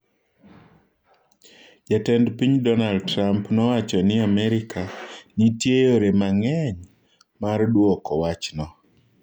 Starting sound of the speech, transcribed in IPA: d͡ʒ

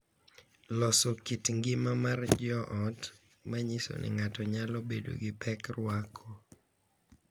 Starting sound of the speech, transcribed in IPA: l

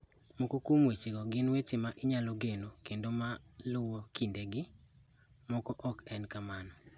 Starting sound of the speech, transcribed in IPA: m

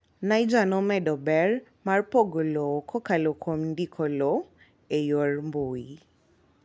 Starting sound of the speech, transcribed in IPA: n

